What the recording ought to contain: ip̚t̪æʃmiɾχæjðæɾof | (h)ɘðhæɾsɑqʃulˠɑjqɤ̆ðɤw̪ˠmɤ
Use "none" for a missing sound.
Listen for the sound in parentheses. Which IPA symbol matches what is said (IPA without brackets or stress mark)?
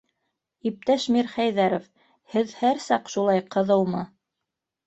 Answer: h